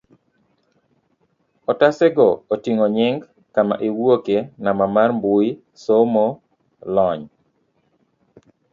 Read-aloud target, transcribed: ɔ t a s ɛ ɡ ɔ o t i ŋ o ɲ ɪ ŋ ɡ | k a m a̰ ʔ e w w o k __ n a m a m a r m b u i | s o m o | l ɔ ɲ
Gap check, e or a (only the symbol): e